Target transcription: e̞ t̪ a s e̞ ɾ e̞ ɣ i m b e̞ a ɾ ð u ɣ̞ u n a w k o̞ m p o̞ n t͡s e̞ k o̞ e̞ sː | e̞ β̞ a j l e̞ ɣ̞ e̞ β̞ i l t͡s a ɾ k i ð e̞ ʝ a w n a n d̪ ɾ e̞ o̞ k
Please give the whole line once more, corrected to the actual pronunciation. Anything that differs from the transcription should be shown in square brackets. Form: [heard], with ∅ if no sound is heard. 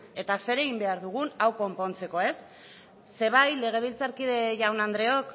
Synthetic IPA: e̞ t̪ a s e̞ ɾ e̞ ɣ i m b e̞ a ɾ ð u ɣ̞ u n a w k o̞ m p o̞ n t͡s e̞ k o̞ e̞ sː | e̞ β̞ a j l e̞ ɣ̞ e̞ β̞ i l t͡s a ɾ k i ð e̞ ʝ a w n a n d̪ ɾ e̞ o̞ k